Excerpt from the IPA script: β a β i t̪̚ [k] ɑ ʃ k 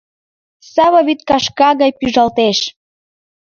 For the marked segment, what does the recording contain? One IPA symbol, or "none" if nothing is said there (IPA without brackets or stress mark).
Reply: k